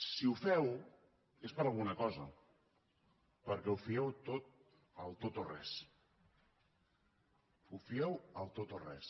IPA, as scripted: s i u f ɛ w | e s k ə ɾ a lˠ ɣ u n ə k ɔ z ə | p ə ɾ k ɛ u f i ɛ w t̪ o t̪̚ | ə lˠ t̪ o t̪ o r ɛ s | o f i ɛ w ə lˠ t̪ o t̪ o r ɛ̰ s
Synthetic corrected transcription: s i u f ɛ w | e s p ə ɾ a lˠ ɣ u n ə k ɔ z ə | p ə ɾ k ɛ u f i ɛ w t̪ o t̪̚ | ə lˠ t̪ o t̪ o r ɛ s | u f i ɛ w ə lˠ t̪ o t̪ o r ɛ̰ s